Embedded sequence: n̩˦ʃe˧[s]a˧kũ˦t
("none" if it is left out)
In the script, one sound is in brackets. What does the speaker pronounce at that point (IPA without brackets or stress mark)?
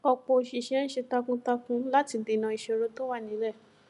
t